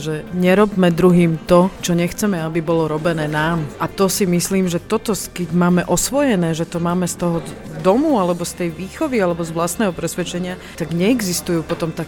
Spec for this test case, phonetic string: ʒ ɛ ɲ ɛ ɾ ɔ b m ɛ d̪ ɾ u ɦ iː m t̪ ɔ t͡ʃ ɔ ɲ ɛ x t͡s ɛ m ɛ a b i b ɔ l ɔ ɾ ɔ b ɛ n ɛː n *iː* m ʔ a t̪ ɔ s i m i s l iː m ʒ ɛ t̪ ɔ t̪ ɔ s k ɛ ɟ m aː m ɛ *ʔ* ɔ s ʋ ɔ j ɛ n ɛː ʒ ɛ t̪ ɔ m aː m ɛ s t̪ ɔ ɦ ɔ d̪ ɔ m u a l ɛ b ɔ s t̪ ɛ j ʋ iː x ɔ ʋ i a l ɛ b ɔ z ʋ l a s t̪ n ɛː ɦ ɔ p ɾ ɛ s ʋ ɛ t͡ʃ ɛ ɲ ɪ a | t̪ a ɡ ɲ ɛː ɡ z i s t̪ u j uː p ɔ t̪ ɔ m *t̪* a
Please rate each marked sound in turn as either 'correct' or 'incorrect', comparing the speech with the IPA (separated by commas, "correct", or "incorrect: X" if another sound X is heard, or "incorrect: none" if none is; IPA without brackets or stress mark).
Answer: incorrect: aː, correct, correct